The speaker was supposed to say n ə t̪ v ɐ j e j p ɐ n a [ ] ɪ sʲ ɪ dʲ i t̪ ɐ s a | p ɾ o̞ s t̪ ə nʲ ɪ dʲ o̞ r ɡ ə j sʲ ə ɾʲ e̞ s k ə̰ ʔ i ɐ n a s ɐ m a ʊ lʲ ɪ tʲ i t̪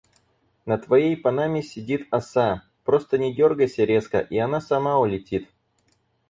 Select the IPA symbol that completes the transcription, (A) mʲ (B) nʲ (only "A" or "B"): A